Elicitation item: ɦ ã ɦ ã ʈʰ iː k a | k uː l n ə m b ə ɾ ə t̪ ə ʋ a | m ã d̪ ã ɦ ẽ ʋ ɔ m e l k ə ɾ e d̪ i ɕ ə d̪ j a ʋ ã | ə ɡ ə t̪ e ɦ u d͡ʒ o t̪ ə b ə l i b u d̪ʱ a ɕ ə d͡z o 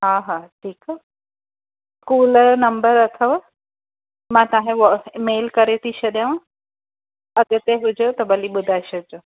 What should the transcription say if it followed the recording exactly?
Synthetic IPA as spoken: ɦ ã ɦ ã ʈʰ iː k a | k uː l n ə m b ə ɾ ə t̪ʰ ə ʋ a | m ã t̪ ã ɦ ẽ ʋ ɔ m e l k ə ɾ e t̪ i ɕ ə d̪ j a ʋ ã | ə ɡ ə t̪ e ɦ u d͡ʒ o t̪ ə b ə l i b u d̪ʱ a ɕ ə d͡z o